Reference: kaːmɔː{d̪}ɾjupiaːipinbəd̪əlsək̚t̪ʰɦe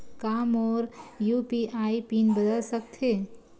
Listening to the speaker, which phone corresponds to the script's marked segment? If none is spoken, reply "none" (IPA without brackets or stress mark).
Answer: none